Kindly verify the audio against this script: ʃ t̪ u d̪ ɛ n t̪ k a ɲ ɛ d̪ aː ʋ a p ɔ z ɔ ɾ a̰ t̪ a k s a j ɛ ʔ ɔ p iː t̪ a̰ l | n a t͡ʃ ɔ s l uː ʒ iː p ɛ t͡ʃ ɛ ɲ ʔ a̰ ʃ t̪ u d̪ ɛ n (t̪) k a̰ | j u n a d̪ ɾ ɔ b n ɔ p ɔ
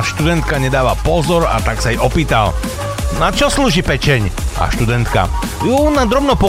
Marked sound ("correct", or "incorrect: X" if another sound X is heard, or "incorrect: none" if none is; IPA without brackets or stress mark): correct